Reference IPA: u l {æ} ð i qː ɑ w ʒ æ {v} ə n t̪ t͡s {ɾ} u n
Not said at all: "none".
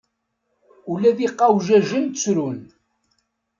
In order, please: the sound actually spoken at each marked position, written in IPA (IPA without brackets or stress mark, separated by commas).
æ, ʒ, ɾ